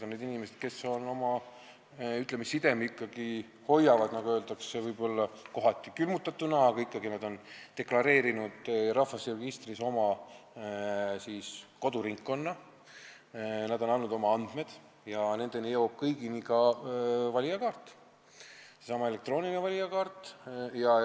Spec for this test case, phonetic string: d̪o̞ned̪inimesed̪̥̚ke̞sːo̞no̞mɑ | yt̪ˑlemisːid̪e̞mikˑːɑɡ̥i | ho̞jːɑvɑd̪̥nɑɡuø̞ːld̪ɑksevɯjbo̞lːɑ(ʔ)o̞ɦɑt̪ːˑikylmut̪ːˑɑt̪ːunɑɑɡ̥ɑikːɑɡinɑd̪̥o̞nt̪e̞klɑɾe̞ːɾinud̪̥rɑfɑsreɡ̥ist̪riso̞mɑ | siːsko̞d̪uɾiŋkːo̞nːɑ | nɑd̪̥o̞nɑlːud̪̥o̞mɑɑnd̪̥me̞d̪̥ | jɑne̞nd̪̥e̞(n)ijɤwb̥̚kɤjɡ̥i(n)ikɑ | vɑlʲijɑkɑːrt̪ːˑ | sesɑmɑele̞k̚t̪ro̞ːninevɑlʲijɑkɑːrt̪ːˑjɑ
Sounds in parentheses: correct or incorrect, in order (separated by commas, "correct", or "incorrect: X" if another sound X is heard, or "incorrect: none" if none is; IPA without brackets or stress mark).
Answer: incorrect: k, correct, correct